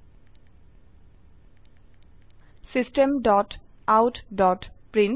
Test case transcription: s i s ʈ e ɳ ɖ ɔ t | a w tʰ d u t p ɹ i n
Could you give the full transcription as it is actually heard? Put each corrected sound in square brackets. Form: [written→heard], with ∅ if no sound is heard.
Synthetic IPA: s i s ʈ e [ɳ→m] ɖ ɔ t | a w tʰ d [u→ɔ] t p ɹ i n